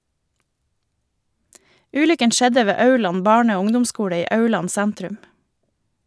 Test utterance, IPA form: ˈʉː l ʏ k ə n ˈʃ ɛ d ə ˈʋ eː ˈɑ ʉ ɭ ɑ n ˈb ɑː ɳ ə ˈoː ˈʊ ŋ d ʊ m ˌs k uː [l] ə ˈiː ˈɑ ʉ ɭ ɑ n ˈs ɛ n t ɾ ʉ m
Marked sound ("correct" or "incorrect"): incorrect